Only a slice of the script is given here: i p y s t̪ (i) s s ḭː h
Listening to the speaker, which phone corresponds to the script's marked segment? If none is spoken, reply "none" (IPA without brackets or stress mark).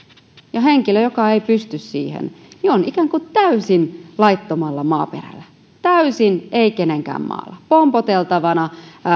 y